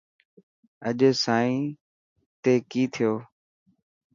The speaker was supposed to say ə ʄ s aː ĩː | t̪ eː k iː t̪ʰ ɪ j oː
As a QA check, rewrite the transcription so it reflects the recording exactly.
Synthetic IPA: ə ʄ s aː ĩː | t̪ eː k iː t̪ʰ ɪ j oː